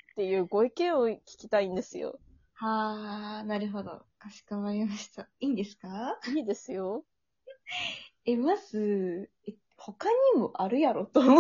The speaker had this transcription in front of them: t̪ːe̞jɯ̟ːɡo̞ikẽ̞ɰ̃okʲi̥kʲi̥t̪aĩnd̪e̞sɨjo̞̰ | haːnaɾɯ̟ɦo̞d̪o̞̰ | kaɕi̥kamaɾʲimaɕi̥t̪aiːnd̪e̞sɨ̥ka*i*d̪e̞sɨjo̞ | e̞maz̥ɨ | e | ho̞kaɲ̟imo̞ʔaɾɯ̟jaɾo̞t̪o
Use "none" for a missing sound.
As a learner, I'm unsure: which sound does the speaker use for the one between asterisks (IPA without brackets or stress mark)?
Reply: iː